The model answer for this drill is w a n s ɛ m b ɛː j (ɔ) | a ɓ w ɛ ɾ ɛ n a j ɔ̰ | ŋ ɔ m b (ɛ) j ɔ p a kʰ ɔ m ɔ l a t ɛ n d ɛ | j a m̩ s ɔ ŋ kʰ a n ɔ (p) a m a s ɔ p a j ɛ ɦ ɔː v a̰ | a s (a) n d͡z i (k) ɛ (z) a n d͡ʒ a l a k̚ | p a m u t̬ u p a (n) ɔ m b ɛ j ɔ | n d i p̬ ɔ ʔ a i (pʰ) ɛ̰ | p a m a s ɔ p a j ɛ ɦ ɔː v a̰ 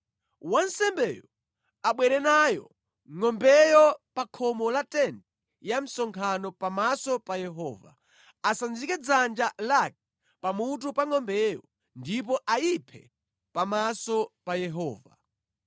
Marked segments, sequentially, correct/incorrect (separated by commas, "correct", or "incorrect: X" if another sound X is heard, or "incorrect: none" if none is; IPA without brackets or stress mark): correct, correct, correct, correct, correct, incorrect: d͡z, incorrect: ŋ, correct